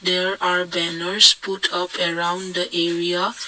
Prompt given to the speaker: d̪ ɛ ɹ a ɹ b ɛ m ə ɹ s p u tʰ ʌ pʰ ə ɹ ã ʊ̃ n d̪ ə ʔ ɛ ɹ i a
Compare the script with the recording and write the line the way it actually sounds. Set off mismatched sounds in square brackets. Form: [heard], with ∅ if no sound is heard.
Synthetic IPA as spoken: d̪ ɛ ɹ a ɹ b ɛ [n] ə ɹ s p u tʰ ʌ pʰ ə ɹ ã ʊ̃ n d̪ ə ʔ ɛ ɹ i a